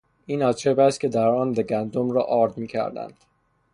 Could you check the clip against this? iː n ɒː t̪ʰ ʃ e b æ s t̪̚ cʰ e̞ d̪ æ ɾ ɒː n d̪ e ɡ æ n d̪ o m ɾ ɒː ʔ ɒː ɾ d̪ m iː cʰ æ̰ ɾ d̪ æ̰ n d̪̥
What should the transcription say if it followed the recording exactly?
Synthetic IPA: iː n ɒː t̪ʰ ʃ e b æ s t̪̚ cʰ e̞ d̪ æ ɾ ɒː n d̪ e ɡ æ n d̪ o m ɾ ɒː ʔ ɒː ɾ d̪ m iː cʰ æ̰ ɾ d̪ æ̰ n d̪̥